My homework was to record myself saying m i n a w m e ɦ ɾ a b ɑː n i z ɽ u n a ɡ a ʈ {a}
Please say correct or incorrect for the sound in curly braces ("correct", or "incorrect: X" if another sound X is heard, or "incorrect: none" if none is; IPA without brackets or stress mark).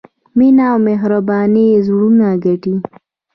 incorrect: i